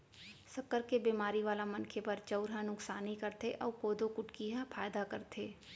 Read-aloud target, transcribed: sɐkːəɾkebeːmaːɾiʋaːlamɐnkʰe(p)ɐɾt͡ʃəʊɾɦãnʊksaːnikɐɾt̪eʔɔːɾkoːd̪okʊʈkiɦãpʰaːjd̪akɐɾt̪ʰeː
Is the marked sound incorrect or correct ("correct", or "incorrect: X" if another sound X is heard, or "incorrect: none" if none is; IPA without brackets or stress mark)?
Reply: correct